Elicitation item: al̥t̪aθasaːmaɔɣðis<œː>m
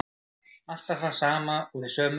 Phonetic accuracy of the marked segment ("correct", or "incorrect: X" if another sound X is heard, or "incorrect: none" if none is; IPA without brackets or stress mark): correct